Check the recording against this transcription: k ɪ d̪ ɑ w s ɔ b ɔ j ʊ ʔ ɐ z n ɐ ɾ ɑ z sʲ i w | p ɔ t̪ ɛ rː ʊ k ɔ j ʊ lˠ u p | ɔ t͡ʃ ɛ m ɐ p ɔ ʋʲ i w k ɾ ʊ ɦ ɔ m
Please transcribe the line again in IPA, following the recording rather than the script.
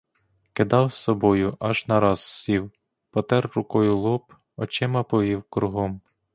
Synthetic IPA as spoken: k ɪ d̪ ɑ w s ɔ b ɔ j ʊ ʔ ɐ ʒ n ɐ ɾ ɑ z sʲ i w | p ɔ t̪ ɛ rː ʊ k ɔ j ʊ lˠ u p | ɔ t͡ʃ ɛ m ɐ p ɔ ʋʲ i w k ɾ ʊ ɦ ɔ m